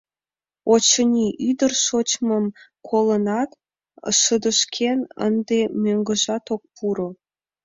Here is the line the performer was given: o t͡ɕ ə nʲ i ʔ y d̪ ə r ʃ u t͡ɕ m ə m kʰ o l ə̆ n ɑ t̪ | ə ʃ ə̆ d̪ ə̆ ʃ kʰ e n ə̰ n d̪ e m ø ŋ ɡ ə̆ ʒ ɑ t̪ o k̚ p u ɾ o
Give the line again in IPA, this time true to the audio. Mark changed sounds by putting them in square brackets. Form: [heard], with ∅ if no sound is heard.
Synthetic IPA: o t͡ɕ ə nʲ i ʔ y d̪ ə r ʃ [o] t͡ɕ m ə m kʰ o l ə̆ n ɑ t̪ | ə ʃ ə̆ d̪ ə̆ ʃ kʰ e n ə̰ n d̪ e m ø ŋ ɡ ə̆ ʒ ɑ t̪ o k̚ p u ɾ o